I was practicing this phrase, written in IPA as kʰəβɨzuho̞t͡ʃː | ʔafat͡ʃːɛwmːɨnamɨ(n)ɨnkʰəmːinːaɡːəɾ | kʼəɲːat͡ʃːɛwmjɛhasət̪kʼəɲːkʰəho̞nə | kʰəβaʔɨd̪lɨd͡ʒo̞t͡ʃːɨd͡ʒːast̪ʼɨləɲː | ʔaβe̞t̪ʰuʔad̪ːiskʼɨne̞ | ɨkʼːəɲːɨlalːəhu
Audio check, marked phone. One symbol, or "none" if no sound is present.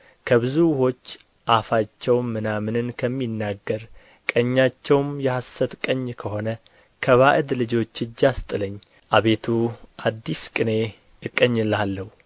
n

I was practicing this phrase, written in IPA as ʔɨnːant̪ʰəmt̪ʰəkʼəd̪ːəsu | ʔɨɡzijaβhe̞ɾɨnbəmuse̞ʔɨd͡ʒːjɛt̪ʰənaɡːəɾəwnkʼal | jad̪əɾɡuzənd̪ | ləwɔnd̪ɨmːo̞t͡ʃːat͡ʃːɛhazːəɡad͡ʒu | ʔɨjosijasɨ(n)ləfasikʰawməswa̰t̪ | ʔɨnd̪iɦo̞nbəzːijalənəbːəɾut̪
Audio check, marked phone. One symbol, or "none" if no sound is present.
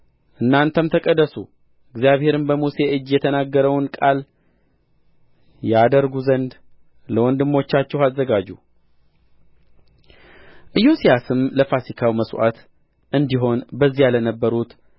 m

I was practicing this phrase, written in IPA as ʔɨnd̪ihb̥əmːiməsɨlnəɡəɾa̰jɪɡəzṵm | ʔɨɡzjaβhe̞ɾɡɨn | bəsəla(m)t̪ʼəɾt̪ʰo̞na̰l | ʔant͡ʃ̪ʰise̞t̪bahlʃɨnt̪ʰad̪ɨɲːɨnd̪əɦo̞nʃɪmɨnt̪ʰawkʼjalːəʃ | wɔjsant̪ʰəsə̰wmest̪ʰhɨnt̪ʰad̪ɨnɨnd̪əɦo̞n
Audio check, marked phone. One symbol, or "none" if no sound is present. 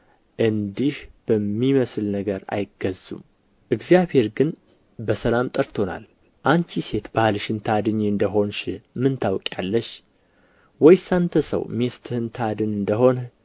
m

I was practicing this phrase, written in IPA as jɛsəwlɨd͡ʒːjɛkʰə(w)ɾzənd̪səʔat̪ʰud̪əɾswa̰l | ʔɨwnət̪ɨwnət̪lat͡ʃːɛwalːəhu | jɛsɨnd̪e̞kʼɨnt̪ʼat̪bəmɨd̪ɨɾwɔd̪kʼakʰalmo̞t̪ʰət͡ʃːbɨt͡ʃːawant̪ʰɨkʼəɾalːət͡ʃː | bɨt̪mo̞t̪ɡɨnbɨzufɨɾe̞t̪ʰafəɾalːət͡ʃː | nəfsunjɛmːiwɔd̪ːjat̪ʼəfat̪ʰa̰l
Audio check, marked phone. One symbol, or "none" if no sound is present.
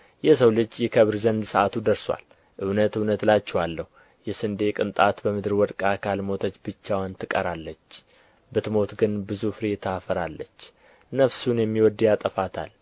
β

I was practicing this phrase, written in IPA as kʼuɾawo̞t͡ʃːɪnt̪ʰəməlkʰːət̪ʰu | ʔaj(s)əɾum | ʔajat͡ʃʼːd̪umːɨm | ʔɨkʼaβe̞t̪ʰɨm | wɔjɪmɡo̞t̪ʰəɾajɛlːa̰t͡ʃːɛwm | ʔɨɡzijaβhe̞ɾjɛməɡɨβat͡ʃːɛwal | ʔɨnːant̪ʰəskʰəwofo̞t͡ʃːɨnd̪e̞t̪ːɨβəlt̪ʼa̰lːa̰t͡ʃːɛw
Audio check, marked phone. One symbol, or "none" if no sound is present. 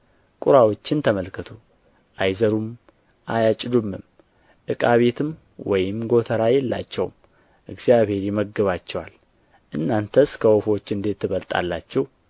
z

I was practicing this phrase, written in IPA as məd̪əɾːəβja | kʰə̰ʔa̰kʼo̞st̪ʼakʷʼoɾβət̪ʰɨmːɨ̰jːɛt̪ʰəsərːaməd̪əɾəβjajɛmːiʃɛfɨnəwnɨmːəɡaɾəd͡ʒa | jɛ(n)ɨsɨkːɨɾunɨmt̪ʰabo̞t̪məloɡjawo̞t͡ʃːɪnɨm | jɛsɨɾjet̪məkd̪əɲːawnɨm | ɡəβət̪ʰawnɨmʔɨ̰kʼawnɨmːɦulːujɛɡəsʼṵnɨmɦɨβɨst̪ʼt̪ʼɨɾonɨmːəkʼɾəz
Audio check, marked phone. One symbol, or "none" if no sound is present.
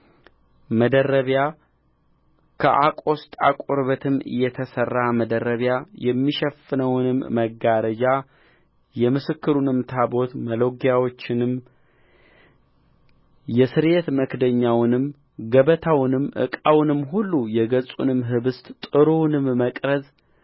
m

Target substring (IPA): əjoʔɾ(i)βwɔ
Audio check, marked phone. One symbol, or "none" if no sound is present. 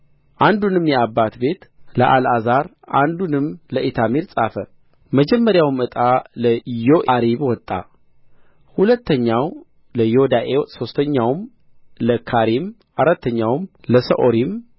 i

